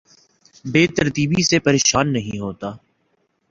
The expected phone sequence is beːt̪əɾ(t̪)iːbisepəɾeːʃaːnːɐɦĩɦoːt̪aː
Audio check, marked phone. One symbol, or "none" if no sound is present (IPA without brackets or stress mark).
t̪